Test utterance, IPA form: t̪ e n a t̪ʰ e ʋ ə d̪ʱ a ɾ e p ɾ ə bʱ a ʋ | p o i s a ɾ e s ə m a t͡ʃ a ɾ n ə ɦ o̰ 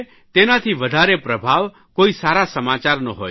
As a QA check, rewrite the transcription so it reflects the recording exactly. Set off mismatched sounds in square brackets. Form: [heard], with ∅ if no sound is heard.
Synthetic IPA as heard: t̪ e n a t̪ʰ [i] ʋ ə d̪ʱ a ɾ e p ɾ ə bʱ a ʋ | [k] o i s a ɾ [a] s ə m a t͡ʃ a ɾ n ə ɦ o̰